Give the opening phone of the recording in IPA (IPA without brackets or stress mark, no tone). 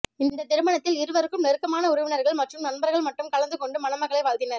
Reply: ɪ